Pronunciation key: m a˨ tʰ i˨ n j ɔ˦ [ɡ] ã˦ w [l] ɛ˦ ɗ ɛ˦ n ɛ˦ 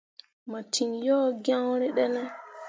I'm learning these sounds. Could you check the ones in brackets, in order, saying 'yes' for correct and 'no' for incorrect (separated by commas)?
yes, no